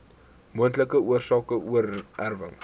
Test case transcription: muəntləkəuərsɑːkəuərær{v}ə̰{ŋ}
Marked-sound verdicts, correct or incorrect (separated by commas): correct, correct